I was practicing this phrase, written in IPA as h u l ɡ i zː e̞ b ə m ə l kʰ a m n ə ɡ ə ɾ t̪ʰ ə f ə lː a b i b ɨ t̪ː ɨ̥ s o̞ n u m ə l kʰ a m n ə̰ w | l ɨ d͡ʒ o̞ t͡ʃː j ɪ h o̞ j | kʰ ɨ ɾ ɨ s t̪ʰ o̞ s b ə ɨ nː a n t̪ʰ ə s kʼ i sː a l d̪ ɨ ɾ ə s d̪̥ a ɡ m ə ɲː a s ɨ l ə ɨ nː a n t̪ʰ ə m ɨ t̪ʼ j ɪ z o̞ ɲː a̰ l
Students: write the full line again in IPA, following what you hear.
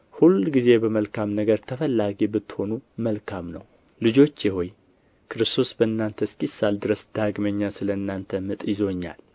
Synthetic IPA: h u l ɡ i z e̞ b ə m ə l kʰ a m n ə ɡ ə ɾ t̪ʰ ə f ə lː a ɡ i b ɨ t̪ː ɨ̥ h o̞ n u m ə l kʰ a m n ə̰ w | l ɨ d͡ʒ o̞ t͡ʃː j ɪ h o̞ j | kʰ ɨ ɾ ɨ s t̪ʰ o̞ s b ə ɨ nː a n t̪ʰ ə s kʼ i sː a l d̪ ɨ ɾ ə s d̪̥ a ɡ m ə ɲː a s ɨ l ə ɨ nː a n t̪ʰ ə m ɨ t̪ʼ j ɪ z o̞ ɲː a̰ l